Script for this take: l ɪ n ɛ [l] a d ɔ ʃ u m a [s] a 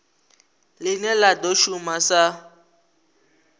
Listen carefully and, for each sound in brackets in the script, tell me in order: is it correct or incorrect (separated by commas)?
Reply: correct, correct